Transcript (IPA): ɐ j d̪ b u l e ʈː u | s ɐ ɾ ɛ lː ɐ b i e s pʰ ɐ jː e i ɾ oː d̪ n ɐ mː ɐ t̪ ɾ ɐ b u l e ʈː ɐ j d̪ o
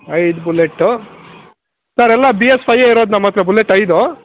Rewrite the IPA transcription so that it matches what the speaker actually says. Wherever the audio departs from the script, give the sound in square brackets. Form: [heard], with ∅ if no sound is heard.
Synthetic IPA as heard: ɐ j d̪ b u l e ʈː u | s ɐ ɾ ɛ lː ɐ b i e s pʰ ɐ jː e i ɾ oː d̪ n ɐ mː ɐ t̪ ɾ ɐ b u l e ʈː ɐ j d̪ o